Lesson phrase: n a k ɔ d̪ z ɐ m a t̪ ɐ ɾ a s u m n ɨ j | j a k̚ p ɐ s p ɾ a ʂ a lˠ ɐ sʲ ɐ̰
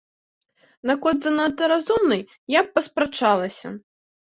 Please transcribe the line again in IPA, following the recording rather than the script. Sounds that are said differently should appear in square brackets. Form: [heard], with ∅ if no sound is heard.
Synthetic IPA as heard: n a k ɔ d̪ z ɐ [n] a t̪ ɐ ɾ a [z] u m n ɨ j | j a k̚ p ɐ s p ɾ a [t͡ʂ] a lˠ ɐ sʲ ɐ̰

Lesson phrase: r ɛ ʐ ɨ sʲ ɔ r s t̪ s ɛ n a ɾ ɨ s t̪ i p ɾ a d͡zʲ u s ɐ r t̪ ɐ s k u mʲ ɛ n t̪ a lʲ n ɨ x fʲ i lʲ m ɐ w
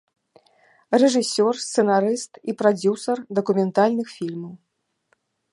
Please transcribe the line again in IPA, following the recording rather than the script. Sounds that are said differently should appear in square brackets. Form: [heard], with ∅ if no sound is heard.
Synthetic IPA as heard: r ɛ ʐ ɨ sʲ ɔ r s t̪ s ɛ n a ɾ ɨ s t̪ i p ɾ a d͡zʲ u s ɐ r [d̪] ɐ [∅] k u mʲ ɛ n t̪ a lʲ n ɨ x fʲ i lʲ m ɐ w

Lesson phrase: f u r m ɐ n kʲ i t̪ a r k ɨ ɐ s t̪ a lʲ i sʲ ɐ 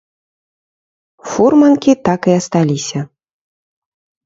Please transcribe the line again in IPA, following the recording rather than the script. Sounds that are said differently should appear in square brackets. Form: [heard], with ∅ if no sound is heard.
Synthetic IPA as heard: f u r m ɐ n kʲ i t̪ a [∅] k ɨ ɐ s t̪ a lʲ i sʲ ɐ

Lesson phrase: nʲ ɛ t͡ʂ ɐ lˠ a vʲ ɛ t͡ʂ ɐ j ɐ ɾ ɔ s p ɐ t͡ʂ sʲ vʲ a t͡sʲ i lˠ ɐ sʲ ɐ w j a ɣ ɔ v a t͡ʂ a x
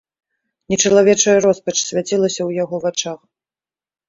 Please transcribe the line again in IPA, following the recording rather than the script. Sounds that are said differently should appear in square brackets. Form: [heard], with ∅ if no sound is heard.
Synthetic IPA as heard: nʲ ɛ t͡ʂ ɐ lˠ a vʲ ɛ t͡ʂ ɐ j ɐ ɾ ɔ s p ɐ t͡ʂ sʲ vʲ a t͡sʲ i lˠ ɐ sʲ ɐ w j a ɣ ɔ v a t͡ʂ a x

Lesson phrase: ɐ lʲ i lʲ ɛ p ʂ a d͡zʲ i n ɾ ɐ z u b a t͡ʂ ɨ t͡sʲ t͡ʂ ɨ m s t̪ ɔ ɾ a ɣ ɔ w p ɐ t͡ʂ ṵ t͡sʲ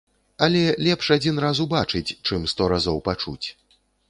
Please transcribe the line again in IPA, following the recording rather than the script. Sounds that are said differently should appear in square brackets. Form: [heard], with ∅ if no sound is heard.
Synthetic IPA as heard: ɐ lʲ [ɛ] lʲ ɛ p ʂ a d͡zʲ i n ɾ [a] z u b a t͡ʂ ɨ t͡sʲ t͡ʂ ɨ m s t̪ ɔ ɾ a [z] ɔ w p [a] t͡ʂ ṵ t͡sʲ

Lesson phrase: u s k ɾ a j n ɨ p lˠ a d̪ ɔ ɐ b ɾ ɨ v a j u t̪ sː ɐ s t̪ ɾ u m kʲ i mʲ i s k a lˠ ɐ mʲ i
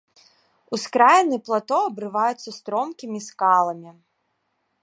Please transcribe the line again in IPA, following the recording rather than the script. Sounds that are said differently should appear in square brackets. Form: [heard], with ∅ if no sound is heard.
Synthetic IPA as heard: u s k ɾ a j n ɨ p lˠ a [t̪] ɔ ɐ b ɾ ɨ v a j u t̪ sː ɐ s t̪ ɾ [ɔ] m kʲ i mʲ i s k a lˠ ɐ mʲ i

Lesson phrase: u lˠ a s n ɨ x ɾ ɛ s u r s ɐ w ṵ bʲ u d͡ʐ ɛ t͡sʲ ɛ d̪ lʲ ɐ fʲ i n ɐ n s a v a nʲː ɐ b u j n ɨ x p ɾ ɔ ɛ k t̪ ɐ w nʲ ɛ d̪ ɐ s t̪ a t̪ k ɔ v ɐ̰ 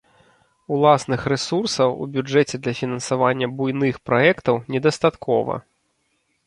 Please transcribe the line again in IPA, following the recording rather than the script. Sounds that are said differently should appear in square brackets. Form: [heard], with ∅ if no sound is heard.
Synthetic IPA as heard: u lˠ a s n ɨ x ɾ ɛ s u r s ɐ w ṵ bʲ u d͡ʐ ɛ t͡sʲ ɛ d̪ lʲ ɐ fʲ i n ɐ n s a v a nʲː ɐ b u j n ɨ x p ɾ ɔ ɛ k t̪ ɐ w nʲ ɛ d̪ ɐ s t̪ a t̪ k ɔ v ɐ̰

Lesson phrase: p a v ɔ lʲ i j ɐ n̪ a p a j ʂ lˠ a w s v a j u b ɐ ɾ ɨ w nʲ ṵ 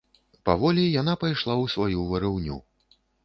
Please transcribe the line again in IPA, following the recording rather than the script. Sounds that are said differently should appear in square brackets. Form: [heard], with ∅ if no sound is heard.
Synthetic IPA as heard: p a v ɔ lʲ i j [a] n̪ a p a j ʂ lˠ a w s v a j u [v] ɐ ɾ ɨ w nʲ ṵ

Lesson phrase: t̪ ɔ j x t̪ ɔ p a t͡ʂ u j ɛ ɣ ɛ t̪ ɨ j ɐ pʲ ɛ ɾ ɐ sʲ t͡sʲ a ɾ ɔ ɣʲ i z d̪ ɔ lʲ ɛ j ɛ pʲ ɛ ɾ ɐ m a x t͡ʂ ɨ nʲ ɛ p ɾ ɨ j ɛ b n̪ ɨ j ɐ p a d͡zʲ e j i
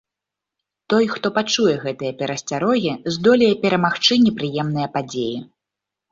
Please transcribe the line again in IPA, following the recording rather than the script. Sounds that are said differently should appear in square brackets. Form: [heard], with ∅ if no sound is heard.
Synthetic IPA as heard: t̪ ɔ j x t̪ ɔ p a t͡ʂ u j ɛ ɣ ɛ t̪ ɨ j ɐ pʲ ɛ ɾ ɐ sʲ t͡sʲ a ɾ ɔ ɣʲ i z d̪ ɔ lʲ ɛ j ɛ pʲ ɛ ɾ ɐ m a x t͡ʂ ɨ nʲ ɛ p ɾ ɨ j ɛ [m] n̪ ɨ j ɐ p a d͡zʲ e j i

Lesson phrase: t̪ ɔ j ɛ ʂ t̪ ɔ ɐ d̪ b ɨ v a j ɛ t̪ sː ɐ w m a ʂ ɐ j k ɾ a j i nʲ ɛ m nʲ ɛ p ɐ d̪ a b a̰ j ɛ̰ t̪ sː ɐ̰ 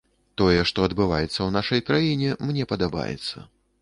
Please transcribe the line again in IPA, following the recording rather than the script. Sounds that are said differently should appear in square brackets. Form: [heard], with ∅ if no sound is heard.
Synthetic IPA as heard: t̪ ɔ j ɛ ʂ t̪ ɔ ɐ d̪ b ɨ v a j ɛ t̪ sː ɐ w [n] a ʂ ɐ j k ɾ a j i nʲ ɛ m nʲ ɛ p ɐ d̪ a b a̰ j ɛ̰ t̪ sː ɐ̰

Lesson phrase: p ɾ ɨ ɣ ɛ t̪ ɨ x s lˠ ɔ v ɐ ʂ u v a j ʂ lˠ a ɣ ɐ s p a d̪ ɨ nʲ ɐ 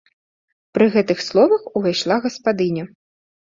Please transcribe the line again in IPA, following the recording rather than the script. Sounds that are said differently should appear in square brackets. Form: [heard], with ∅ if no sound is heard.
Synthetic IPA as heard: p ɾ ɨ ɣ ɛ t̪ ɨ x s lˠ ɔ v ɐ [x] u v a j ʂ lˠ a ɣ ɐ s p a d̪ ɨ nʲ ɐ

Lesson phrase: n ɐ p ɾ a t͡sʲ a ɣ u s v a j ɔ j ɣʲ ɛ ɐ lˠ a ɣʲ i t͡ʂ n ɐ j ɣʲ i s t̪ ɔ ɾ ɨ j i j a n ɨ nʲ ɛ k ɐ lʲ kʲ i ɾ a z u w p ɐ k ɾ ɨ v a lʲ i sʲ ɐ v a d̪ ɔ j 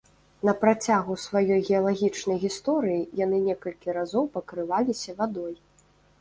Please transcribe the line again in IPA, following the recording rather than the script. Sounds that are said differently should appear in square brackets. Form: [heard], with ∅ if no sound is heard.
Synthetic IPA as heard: n ɐ p ɾ a t͡sʲ a ɣ u s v a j ɔ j ɣʲ ɛ ɐ lˠ a ɣʲ i t͡ʂ n ɐ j ɣʲ i s t̪ ɔ ɾ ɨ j i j a n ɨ nʲ ɛ k ɐ lʲ kʲ i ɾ a z [ɔ] w p ɐ k ɾ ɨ v a lʲ i sʲ ɐ v a d̪ ɔ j

